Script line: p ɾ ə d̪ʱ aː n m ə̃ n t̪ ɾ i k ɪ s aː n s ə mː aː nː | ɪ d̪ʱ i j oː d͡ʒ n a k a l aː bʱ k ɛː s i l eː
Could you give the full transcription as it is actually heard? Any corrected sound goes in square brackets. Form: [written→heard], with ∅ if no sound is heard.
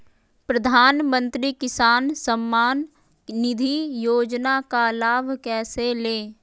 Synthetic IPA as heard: p ɾ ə d̪ʱ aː n m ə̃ n t̪ ɾ i k ɪ s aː n s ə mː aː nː | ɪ d̪ʱ i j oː d͡ʒ n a k a l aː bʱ k ɛː s [i→e] l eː